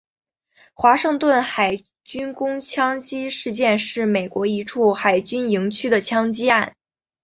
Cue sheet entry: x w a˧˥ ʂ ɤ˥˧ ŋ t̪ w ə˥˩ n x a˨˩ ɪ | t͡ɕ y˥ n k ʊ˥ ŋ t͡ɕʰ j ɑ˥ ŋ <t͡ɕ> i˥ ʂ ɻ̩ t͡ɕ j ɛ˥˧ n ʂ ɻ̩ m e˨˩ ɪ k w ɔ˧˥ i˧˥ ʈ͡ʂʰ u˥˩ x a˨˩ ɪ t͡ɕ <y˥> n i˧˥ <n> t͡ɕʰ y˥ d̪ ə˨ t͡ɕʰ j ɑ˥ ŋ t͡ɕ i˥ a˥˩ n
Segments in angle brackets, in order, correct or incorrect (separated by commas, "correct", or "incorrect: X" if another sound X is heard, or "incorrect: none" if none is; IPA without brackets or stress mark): correct, correct, incorrect: ŋ